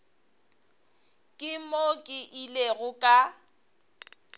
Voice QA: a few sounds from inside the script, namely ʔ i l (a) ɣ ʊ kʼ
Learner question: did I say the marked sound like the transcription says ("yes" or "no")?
no